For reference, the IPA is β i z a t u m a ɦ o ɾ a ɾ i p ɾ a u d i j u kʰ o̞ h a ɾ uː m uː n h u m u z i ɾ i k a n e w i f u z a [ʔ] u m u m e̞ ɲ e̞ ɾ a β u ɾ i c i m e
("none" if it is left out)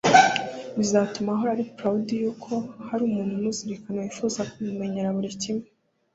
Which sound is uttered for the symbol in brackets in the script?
k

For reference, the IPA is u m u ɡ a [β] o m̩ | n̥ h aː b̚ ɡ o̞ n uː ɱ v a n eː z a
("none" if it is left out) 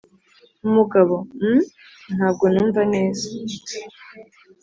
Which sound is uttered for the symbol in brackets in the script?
β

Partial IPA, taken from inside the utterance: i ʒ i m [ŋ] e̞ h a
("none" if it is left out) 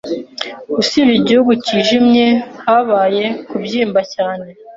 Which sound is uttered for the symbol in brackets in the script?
ɲ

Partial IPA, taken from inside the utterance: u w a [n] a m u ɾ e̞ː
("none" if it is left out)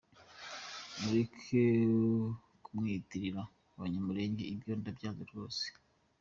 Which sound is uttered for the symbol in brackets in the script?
ɲ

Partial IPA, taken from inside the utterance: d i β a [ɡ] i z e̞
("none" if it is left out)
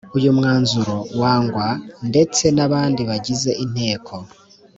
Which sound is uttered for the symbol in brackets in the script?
ɟ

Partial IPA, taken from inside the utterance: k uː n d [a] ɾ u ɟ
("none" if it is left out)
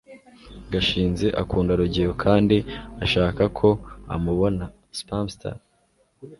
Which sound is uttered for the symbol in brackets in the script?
a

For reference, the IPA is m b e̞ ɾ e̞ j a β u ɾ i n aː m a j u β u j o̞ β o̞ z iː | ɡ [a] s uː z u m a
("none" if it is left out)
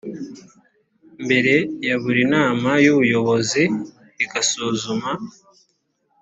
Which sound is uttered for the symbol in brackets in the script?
a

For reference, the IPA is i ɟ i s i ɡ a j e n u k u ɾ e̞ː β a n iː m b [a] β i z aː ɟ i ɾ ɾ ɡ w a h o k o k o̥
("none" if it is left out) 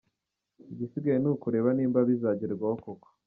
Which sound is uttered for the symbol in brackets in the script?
a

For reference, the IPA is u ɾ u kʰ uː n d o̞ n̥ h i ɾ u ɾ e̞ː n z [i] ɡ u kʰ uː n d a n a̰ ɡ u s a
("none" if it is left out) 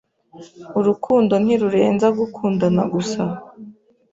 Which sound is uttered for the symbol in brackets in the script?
a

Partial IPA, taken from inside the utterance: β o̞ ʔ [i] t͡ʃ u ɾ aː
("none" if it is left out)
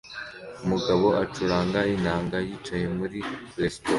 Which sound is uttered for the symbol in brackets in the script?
a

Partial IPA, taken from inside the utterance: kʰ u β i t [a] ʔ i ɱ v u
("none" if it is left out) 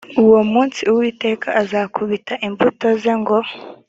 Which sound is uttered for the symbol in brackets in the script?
a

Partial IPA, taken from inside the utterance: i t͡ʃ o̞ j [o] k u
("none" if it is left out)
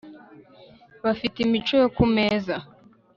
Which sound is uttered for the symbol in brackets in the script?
o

